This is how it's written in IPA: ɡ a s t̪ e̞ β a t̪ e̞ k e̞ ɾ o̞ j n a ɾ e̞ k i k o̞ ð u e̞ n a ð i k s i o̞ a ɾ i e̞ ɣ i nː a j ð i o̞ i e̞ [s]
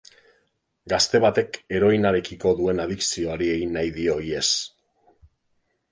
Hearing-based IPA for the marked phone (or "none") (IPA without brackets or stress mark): s